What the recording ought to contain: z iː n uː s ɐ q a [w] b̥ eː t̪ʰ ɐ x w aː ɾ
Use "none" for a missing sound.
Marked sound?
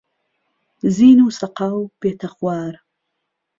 w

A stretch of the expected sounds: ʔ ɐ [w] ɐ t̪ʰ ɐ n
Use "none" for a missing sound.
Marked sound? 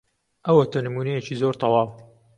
w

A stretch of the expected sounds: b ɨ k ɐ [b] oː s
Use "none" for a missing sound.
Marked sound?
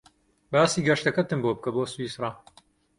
b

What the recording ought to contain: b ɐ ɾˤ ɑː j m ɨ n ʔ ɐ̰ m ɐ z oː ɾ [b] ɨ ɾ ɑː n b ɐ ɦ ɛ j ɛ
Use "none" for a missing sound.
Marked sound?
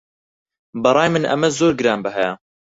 ɡ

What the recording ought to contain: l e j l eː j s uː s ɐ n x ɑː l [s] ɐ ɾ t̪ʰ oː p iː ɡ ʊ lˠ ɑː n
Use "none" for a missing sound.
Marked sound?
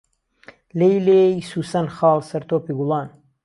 s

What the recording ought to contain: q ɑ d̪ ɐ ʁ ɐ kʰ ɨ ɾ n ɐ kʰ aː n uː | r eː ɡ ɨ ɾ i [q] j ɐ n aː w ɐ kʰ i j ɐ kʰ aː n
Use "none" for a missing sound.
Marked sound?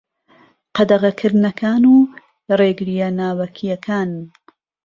none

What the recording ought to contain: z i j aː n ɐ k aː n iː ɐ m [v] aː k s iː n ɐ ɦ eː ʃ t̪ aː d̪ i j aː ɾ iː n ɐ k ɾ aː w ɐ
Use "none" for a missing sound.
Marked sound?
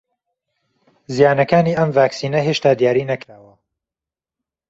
v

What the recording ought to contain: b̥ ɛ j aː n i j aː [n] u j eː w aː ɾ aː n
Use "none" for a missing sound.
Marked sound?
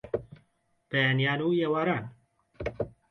n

